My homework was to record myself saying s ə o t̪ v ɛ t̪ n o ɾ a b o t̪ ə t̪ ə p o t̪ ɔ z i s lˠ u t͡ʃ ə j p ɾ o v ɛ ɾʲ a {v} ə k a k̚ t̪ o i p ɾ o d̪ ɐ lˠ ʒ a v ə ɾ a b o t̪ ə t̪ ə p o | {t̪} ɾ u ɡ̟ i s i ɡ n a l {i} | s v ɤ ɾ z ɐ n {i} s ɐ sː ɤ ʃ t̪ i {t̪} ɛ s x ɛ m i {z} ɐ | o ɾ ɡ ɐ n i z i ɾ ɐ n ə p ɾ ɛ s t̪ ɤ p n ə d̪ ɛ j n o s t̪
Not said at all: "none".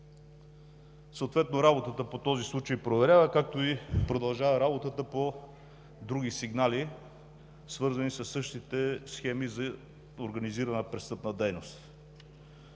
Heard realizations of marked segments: v, d̪, i, i, t̪, z

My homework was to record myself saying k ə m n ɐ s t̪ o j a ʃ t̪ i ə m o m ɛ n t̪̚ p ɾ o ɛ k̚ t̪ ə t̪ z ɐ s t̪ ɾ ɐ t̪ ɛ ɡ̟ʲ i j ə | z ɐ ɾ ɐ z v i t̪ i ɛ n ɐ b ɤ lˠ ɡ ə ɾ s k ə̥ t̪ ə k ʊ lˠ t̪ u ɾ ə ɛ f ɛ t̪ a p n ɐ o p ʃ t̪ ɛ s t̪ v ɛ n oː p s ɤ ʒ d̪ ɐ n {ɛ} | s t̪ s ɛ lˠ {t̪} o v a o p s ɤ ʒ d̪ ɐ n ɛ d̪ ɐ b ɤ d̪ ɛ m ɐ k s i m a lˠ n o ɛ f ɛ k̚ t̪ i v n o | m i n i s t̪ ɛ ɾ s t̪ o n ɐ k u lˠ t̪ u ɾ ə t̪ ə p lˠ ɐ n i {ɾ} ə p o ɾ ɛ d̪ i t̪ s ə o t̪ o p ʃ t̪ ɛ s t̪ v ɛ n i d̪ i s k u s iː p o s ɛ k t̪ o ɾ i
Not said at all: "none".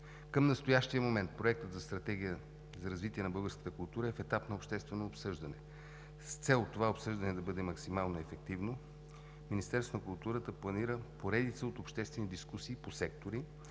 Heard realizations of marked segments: ɛ, t̪, ɾ

